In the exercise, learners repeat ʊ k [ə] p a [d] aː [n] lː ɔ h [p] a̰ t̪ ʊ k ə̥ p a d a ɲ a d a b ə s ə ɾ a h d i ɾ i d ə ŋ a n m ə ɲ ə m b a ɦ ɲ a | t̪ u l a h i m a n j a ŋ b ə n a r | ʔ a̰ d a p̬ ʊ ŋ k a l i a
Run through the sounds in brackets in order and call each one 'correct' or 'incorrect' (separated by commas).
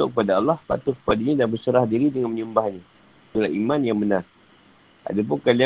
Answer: correct, correct, incorrect, correct